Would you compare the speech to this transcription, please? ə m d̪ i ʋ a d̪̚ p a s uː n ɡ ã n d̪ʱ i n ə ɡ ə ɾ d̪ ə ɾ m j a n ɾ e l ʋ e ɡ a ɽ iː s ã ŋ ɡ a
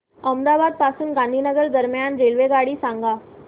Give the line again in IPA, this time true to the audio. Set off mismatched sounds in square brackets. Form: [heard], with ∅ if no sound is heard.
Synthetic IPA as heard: ə m d̪ [a] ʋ a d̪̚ p a s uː n ɡ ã n d̪ʱ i n ə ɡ ə ɾ d̪ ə ɾ m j a n ɾ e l ʋ e ɡ a ɽ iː s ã ŋ ɡ a